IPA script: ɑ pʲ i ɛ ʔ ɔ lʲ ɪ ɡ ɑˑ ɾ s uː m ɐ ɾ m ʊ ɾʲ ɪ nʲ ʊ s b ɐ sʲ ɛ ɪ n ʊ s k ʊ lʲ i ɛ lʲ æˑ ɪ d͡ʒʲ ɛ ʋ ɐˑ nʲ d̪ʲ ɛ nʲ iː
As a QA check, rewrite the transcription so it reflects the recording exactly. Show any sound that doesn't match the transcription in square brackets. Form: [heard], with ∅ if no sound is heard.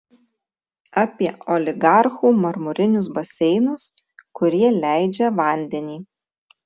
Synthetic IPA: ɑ pʲ i ɛ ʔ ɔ lʲ ɪ ɡ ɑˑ ɾ [x] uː m ɐ ɾ m ʊ ɾʲ ɪ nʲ ʊ s b ɐ sʲ ɛ ɪ n ʊ s k ʊ [ɾʲ] i ɛ lʲ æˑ ɪ d͡ʒʲ ɛ ʋ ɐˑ nʲ d̪ʲ ɛ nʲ iː